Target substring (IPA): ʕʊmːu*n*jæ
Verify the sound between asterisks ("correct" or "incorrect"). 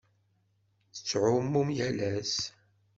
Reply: incorrect